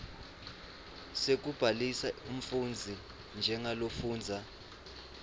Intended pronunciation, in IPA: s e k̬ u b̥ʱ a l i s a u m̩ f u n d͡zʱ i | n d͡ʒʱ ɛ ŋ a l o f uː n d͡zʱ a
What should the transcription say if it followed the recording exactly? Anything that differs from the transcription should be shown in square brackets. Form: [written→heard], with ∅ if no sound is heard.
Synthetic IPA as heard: s e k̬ u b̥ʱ a l i s a u m̩ f u n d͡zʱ i | n d͡ʒʱ ɛ ŋ a l o f uː n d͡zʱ a